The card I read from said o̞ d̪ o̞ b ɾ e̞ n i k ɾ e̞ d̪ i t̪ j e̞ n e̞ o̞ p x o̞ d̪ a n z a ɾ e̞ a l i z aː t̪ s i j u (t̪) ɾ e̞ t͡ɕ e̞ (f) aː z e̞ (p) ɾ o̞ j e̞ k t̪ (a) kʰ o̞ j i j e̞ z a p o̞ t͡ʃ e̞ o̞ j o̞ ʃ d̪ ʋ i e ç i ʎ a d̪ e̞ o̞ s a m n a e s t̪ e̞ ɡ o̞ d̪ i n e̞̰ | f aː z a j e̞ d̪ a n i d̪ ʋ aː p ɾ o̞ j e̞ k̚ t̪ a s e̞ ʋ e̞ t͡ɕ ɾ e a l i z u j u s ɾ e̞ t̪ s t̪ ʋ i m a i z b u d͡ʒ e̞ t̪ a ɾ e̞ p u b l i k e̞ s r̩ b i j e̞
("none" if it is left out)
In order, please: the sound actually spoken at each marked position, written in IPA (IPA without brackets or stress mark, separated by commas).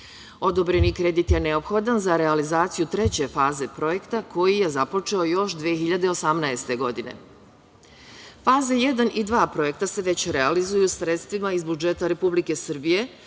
t̪, f, p, a